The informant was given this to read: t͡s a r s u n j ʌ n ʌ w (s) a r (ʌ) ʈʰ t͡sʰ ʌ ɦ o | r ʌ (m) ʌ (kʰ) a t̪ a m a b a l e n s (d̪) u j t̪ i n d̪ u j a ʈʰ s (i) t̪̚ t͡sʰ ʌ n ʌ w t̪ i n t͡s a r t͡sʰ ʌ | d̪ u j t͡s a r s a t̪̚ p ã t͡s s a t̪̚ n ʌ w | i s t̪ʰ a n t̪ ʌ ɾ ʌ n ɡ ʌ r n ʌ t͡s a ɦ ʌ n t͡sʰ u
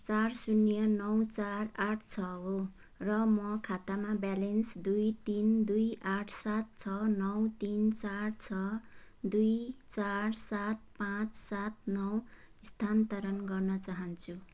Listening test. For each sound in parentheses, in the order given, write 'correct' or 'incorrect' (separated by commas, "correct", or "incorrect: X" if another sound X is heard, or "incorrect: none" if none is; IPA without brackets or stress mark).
incorrect: t͡s, incorrect: a, correct, correct, correct, incorrect: a